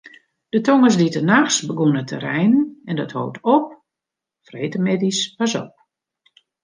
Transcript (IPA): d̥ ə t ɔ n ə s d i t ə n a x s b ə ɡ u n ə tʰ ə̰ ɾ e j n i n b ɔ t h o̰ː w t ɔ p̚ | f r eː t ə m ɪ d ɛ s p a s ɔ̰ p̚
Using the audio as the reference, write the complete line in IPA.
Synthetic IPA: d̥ ə t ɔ ŋ ə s d i t ə n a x s b ə ɡ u n ə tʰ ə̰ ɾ ɛ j n ɛ n d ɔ t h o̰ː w t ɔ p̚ | f r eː t ə m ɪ d i s p a s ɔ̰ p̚